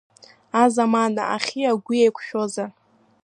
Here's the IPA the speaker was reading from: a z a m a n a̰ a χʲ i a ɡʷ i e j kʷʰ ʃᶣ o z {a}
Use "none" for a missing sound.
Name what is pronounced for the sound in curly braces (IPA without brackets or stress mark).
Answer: a